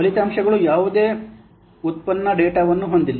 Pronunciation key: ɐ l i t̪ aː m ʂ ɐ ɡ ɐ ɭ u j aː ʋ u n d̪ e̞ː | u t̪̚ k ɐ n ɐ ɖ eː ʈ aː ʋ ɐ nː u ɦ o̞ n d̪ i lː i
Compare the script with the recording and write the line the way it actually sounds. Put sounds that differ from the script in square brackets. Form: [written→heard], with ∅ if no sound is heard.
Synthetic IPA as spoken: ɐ l i t̪ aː m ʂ ɐ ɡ ɐ ɭ u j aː ʋ u [n→∅] d̪ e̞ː | u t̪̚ [k→p] ɐ [n→nː] ɐ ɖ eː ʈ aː ʋ ɐ nː u ɦ o̞ n d̪ i lː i